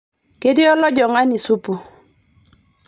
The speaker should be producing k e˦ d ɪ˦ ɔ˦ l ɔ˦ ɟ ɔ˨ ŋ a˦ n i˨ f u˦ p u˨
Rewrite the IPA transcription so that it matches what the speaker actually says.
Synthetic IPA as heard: k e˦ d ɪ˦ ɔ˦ l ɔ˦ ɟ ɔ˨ ŋ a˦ n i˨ s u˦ p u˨